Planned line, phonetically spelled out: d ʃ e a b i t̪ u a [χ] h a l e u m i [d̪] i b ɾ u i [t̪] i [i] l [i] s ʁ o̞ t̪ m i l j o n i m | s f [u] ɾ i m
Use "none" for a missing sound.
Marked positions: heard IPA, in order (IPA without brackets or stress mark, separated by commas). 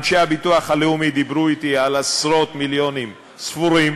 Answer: χ, d̪, t̪, a, a, u